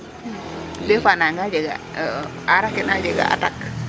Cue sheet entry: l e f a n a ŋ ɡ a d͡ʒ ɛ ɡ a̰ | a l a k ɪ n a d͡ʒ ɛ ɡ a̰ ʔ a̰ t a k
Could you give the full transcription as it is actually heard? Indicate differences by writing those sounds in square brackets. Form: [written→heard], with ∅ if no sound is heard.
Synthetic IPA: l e f a n a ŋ ɡ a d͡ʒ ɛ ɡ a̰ | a [l→ɾ] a k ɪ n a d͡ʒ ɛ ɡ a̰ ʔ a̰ t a k